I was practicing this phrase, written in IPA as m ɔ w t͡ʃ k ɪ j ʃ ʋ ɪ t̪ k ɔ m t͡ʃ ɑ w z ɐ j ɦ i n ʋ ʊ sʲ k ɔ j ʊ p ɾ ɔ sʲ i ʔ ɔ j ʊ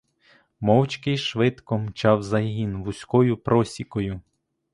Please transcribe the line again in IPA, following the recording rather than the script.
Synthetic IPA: m ɔ w t͡ʃ k ɪ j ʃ ʋ ɪ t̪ k ɔ m t͡ʃ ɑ w z ɐ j ɦ i n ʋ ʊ sʲ k ɔ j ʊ p ɾ ɔ sʲ i k ɔ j ʊ

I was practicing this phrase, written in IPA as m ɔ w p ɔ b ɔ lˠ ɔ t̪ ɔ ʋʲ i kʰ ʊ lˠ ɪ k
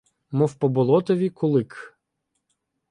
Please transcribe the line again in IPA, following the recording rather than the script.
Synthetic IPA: m ɔ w p ɔ b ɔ lˠ ɔ t̪ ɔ ʋʲ i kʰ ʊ lˠ ɪ k

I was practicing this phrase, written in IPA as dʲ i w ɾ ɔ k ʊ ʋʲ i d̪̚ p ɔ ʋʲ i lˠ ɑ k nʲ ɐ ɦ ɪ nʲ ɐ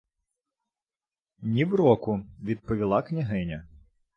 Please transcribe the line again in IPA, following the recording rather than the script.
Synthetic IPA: nʲ i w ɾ ɔ k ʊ ʋʲ i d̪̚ p ɔ ʋʲ i lˠ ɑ k nʲ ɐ ɦ ɪ nʲ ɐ

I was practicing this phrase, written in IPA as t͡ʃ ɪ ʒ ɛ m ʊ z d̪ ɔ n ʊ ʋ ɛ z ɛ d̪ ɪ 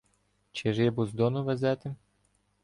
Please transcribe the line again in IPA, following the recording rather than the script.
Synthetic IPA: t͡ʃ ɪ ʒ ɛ b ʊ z d̪ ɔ n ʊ ʋ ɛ z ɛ t̪ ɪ

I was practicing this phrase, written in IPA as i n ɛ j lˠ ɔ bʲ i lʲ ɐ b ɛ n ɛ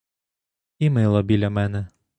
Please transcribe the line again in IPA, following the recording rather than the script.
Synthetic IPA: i m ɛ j lˠ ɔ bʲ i lʲ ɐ m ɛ n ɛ

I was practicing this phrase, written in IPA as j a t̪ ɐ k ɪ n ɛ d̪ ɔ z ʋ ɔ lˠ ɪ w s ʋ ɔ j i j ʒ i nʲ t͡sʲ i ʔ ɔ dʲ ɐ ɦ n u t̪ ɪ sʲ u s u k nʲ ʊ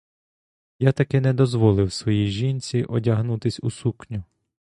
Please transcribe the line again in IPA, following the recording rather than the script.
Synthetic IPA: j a t̪ ɐ k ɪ n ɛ d̪ ɔ z ʋ ɔ lˠ ɪ w s ʋ ɔ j i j ʒ i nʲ t͡sʲ i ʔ ɔ dʲ ɐ ɦ n u t̪ ɪ sʲ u s u k nʲ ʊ

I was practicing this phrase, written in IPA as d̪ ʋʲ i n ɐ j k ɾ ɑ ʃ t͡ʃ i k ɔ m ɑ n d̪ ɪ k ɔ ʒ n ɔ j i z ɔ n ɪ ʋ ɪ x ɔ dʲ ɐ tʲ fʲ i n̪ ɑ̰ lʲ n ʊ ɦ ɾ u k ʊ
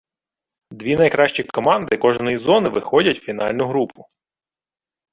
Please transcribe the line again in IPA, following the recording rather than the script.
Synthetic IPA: d̪ ʋʲ i n ɐ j k ɾ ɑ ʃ t͡ʃ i k ɔ m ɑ n d̪ ɪ k ɔ ʒ n ɔ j i z ɔ n ɪ ʋ ɪ x ɔ dʲ ɐ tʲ fʲ i n̪ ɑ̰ lʲ n ʊ ɦ ɾ u p ʊ

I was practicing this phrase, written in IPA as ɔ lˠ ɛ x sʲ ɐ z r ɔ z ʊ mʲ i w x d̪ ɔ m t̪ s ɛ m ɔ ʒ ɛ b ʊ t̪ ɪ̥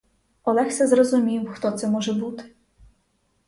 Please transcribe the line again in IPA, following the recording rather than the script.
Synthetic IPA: ɔ lˠ ɛ x sʲ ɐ z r ɔ z ʊ mʲ i w x t̪ ɔ t̪ s ɛ m ɔ ʒ ɛ b u t̪ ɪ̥

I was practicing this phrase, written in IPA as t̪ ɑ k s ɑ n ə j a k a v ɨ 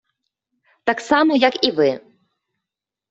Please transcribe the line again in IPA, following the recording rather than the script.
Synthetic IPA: t̪ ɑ k s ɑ m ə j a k i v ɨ

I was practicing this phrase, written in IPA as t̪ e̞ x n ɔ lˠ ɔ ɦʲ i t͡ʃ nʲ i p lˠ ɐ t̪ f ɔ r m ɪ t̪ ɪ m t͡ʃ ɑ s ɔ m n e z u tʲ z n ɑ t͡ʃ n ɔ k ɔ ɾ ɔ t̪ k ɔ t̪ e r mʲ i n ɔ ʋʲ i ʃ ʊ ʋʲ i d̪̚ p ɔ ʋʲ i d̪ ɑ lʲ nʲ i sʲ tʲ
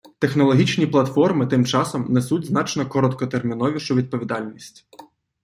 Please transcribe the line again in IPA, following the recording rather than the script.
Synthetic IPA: t̪ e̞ x n ɔ lˠ ɔ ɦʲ i t͡ʃ nʲ i p lˠ ɐ t̪ f ɔ r m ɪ t̪ ɪ m t͡ʃ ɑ s ɔ m n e s u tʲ z n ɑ t͡ʃ n ɔ k ɔ ɾ ɔ t̪ k ɔ t̪ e r mʲ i n ɔ ʋʲ i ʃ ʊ ʋʲ i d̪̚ p ɔ ʋʲ i d̪ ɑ lʲ nʲ i sʲ tʲ

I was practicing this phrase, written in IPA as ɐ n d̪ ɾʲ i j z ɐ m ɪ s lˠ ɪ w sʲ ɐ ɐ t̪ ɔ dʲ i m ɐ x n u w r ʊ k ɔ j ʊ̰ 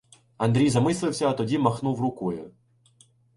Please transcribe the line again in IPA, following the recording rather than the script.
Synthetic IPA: ɐ n d̪ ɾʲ i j z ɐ m ɪ s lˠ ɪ w sʲ ɐ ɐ t̪ ɔ dʲ i m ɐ x n u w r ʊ k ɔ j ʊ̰

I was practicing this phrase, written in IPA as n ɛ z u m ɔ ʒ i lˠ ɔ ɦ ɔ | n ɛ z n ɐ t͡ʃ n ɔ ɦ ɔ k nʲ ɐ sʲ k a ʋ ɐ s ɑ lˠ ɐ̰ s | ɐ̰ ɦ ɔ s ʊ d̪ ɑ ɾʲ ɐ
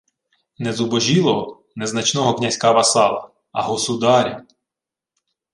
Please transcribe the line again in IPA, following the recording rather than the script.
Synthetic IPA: n ɛ z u b ɔ ʒ i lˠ ɔ ɦ ɔ | n ɛ z n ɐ t͡ʃ n ɔ ɦ ɔ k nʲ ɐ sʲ k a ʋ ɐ s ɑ lˠ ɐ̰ | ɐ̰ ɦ ɔ s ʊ d̪ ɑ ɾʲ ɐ

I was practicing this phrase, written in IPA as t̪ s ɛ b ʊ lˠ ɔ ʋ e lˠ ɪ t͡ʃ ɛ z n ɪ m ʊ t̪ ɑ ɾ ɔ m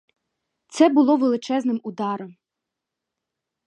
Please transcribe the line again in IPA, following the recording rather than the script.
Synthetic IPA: t̪ s ɛ b ʊ lˠ ɔ ʋ e lˠ ɪ t͡ʃ ɛ z n ɪ m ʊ d̪ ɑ ɾ ɔ m

